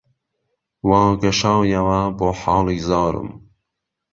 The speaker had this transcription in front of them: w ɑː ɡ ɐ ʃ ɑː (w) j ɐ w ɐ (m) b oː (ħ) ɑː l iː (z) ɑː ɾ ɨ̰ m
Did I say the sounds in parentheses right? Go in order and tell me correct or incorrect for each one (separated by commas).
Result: correct, incorrect, correct, correct